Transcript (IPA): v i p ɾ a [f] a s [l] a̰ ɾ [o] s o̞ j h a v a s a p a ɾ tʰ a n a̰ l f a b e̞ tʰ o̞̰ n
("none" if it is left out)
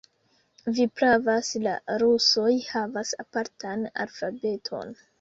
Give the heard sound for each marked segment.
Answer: v, l, u

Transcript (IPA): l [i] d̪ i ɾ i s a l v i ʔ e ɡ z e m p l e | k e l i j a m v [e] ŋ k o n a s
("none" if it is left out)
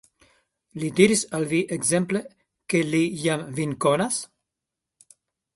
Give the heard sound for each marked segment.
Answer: i, i

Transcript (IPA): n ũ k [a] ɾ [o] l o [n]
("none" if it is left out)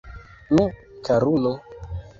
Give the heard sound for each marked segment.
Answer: a, u, none

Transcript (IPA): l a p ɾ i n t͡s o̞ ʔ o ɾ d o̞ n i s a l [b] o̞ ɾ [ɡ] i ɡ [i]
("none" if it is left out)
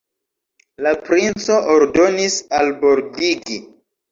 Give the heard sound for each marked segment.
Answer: b, d, i

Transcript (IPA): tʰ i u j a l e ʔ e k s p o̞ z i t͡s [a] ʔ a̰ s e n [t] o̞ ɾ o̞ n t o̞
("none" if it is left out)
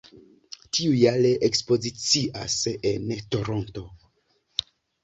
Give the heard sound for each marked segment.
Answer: i, t

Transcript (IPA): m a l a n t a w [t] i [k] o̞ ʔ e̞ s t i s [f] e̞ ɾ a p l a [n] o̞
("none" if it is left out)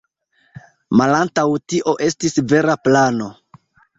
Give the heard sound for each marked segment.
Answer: t, ʔ, v, n

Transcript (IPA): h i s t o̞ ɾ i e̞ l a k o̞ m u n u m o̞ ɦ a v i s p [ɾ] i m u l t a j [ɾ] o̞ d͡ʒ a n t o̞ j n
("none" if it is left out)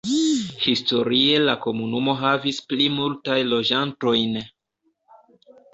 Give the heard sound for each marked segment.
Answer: l, l

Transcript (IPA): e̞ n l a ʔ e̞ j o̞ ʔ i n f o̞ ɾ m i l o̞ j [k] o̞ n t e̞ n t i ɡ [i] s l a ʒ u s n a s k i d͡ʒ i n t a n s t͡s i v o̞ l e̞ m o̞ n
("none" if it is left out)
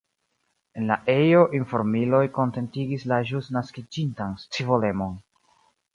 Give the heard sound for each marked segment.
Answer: k, i

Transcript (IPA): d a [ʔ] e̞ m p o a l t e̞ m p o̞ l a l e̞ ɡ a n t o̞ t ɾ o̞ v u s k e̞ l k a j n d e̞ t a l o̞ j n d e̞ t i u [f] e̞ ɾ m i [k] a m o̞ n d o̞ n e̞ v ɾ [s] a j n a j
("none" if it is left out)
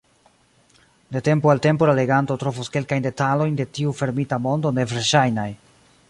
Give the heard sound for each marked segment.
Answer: t, f, t, ʃ

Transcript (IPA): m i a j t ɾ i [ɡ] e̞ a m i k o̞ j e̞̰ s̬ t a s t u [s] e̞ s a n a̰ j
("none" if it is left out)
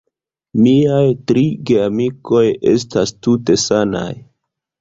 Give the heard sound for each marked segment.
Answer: ɡ, t

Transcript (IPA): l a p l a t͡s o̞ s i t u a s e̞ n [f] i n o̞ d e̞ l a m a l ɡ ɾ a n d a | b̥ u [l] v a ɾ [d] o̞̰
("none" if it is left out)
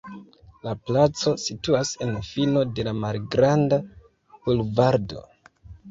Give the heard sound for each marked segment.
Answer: f, l, d

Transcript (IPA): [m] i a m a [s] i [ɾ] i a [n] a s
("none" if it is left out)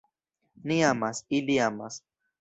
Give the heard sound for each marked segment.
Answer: n, s, l, m

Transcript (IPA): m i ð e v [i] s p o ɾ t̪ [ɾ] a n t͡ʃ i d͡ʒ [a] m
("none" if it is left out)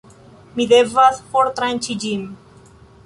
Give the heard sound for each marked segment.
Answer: a, ɾ, i

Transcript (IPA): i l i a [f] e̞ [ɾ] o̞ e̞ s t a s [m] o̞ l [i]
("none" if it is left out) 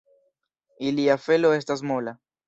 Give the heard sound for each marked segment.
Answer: f, l, m, a

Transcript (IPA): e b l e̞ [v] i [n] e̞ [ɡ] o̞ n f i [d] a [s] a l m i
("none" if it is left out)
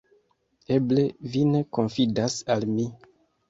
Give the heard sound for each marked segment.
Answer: v, n, k, d, s

